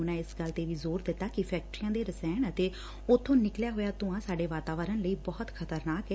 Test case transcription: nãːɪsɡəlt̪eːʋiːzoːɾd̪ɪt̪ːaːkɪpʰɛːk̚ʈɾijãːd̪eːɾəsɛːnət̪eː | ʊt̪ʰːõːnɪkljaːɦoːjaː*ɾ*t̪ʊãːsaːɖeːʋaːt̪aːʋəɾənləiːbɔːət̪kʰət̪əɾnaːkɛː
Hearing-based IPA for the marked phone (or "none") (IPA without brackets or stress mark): none